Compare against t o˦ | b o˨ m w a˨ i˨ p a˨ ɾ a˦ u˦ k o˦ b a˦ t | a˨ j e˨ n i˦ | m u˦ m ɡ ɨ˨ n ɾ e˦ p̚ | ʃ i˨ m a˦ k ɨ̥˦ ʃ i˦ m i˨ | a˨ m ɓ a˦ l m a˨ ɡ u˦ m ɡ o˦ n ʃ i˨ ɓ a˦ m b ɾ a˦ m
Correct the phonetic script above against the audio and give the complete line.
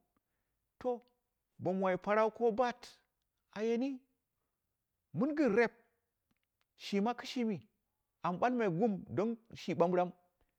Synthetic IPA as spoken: t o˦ | b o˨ m w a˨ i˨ p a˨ ɾ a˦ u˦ k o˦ b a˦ t | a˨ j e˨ n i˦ | m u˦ n ɡ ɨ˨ n ɾ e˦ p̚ | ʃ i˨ m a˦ k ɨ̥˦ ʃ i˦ m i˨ | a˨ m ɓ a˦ l m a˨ ɡ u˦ m d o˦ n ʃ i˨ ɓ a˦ m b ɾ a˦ m